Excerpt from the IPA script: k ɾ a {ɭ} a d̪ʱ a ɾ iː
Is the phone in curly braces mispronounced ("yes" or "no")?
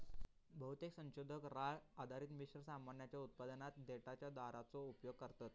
no